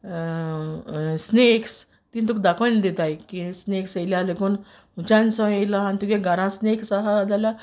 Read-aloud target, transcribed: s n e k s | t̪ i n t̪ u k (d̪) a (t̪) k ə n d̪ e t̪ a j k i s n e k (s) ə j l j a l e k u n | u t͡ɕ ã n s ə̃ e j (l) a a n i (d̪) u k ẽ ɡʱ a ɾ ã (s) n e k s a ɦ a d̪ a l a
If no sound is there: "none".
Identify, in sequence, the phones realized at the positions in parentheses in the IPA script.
d̪, none, s, l, t̪, s

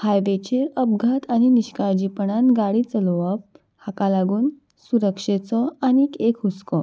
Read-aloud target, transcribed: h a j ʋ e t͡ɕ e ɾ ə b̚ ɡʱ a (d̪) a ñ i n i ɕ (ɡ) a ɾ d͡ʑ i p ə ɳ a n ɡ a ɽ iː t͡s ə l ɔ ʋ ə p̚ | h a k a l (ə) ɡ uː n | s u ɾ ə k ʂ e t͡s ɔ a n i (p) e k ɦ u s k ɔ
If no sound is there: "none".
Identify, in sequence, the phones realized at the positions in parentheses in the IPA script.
t̪, k, a, k

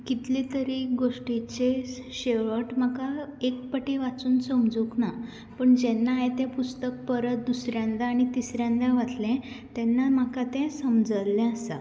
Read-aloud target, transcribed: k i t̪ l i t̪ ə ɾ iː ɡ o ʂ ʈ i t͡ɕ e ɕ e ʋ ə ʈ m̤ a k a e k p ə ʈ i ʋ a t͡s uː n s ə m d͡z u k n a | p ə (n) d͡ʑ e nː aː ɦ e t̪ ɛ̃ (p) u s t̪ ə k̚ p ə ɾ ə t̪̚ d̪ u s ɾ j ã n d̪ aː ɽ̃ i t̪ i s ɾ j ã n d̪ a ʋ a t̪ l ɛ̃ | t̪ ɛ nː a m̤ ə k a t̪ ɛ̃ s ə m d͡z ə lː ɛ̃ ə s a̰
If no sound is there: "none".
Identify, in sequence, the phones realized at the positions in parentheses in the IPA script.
ɳ, p

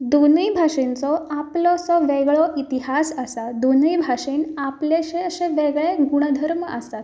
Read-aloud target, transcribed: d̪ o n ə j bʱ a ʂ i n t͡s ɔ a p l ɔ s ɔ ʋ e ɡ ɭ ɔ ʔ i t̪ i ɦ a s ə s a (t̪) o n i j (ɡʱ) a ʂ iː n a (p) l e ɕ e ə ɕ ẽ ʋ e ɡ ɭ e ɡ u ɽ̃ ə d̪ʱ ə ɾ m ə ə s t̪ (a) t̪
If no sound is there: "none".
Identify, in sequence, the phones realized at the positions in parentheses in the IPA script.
d̪, bʱ, p, a

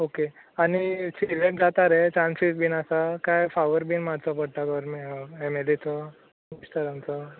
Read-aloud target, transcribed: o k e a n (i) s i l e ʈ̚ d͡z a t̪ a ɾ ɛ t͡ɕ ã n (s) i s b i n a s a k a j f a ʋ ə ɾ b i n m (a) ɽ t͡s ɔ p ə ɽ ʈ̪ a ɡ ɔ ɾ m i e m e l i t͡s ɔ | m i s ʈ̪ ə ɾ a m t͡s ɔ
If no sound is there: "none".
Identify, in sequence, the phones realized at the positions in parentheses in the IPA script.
i, s, a

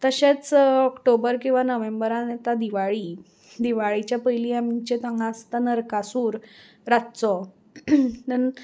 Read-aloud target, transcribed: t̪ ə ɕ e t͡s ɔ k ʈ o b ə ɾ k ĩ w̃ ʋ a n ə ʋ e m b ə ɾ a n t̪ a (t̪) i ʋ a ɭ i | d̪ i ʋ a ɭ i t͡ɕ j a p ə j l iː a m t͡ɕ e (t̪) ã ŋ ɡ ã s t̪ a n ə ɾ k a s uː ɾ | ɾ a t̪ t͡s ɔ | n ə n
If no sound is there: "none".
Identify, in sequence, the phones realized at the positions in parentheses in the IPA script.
d̪, t̪

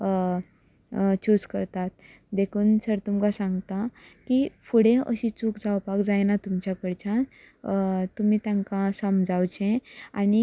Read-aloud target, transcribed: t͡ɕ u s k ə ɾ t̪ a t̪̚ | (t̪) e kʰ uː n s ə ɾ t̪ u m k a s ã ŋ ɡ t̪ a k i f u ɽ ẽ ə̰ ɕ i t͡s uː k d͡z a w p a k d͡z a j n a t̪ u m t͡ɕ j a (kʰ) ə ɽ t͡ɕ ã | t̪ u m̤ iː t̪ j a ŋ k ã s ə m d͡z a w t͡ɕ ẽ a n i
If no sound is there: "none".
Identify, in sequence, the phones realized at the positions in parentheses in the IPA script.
d̪, k

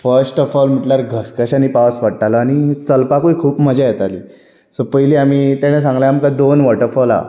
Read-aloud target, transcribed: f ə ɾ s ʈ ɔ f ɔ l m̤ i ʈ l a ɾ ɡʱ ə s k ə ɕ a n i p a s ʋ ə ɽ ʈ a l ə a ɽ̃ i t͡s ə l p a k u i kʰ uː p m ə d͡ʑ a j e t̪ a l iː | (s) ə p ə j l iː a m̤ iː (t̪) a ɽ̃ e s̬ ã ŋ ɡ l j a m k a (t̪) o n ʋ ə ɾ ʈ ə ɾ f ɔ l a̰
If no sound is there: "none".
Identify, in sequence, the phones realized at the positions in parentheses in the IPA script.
s, t̪, d̪

